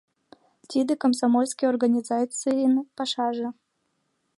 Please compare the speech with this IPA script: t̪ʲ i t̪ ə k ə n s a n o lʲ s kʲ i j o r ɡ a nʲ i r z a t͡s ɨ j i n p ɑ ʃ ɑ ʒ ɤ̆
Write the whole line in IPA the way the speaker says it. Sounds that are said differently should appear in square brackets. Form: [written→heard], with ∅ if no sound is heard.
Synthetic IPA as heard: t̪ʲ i [t̪→d̪] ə k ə [n→m] s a [n→m] o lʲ s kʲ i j o r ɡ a nʲ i [r→∅] z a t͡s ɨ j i n p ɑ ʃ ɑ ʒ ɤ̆